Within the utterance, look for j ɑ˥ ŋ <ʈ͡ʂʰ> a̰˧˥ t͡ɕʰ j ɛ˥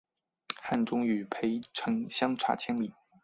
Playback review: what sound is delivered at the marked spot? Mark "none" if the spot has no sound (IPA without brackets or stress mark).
ʈ͡ʂʰ